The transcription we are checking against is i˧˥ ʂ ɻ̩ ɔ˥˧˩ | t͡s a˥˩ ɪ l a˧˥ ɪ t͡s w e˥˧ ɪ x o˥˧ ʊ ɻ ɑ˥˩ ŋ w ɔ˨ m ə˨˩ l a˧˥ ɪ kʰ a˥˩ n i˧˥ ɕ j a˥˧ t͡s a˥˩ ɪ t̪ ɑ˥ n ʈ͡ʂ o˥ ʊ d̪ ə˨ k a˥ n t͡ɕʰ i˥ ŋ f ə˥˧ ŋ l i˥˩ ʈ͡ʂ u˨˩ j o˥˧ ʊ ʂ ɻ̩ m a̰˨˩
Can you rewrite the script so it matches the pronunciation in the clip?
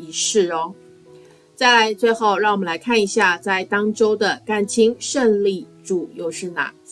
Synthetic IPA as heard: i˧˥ ʂ ɻ̩ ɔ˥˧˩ | t͡s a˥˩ ɪ l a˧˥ ɪ t͡s w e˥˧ ɪ x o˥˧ ʊ ɻ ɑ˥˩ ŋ w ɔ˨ m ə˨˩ l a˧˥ ɪ kʰ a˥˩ n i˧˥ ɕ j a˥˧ t͡s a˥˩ ɪ t̪ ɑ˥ ŋ ʈ͡ʂ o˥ ʊ d̪ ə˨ k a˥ n t͡ɕʰ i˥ ŋ ʂ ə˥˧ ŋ l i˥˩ ʈ͡ʂ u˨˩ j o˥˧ ʊ ʂ ɻ̩ n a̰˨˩